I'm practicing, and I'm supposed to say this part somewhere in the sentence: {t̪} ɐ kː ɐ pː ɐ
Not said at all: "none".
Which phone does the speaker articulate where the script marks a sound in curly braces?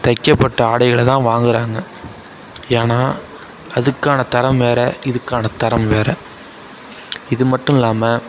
t̪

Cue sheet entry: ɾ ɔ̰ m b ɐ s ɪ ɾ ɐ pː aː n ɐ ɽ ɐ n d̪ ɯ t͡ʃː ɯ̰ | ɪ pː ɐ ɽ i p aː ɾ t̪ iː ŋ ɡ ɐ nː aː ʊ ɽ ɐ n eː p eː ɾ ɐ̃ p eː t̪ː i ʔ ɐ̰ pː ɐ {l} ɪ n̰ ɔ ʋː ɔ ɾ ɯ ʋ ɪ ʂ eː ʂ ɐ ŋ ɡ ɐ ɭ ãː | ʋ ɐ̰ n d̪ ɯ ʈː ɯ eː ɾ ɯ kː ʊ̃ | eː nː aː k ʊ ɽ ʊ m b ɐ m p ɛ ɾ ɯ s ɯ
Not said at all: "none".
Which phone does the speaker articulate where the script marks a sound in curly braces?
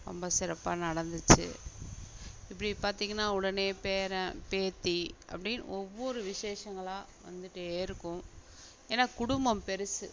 ɽ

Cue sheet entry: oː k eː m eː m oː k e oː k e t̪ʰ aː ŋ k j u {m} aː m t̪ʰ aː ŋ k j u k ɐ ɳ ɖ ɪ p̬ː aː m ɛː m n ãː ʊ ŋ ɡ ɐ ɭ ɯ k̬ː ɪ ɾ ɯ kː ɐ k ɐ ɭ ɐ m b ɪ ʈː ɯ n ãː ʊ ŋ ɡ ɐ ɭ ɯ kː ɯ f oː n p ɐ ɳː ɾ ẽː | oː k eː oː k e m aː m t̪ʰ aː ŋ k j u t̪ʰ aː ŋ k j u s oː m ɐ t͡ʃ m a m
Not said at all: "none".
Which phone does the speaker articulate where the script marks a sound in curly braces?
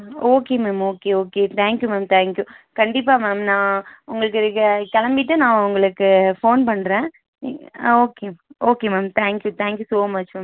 m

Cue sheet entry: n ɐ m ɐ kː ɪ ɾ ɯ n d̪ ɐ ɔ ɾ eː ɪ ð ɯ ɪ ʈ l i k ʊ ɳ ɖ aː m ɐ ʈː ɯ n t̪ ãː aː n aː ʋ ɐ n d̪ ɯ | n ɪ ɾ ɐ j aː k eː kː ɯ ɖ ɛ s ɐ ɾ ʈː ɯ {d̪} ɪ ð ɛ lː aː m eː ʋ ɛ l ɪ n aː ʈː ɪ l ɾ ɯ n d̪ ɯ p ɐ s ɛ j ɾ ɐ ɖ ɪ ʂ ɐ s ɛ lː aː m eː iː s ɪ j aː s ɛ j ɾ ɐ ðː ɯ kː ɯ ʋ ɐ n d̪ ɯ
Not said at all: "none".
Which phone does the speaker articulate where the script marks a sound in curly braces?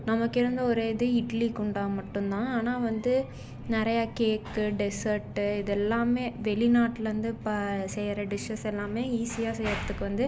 none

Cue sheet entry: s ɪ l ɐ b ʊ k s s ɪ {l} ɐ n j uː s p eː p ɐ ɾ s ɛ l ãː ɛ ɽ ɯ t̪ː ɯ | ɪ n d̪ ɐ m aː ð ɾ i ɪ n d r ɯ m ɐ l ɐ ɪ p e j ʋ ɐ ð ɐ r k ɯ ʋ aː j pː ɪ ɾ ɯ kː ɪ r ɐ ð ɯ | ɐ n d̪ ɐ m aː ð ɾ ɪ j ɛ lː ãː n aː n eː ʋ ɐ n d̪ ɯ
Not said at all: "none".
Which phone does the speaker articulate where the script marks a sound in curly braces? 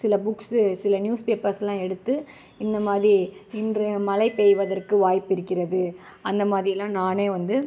l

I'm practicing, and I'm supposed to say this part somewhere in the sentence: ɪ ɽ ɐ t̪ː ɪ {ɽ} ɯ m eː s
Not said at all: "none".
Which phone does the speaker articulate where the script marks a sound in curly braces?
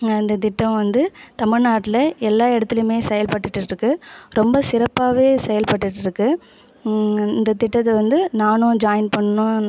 l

